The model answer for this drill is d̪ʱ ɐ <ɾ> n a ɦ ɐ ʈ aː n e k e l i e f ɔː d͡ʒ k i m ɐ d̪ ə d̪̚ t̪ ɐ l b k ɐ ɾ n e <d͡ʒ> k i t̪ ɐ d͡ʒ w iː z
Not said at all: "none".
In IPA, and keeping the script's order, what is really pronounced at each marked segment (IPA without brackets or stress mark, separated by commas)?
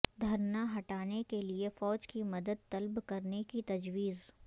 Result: ɾ, none